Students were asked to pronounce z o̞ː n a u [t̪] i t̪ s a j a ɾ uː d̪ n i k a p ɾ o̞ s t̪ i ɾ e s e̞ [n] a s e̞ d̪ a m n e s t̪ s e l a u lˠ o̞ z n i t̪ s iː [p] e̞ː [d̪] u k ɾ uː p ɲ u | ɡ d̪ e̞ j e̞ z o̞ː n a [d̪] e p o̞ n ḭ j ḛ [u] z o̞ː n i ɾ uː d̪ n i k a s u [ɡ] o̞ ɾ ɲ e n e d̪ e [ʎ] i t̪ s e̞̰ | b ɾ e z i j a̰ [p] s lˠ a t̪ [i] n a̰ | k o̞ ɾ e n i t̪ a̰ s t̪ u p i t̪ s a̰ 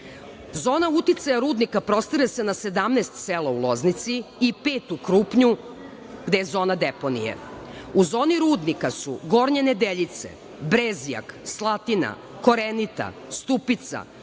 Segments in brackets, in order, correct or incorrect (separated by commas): correct, correct, correct, incorrect, correct, correct, correct, correct, incorrect, correct